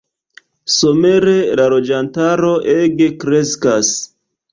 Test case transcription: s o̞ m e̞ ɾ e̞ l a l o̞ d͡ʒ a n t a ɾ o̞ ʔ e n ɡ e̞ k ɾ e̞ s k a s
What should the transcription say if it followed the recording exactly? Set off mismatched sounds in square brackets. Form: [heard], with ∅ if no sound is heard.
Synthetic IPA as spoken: s o̞ m e̞ ɾ e̞ l a l o̞ d͡ʒ a n t a ɾ o̞ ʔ e [∅] ɡ e̞ k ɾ e̞ s k a s